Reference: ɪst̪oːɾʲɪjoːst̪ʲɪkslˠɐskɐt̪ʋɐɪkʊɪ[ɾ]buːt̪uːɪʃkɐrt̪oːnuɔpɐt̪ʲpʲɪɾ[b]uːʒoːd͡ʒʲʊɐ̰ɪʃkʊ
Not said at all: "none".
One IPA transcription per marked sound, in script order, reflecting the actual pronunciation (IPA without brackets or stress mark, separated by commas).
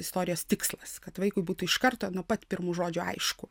none, m